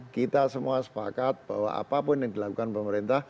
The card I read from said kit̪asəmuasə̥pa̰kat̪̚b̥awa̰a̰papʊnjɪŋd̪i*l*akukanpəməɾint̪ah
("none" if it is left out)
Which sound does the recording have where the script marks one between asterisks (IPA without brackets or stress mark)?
l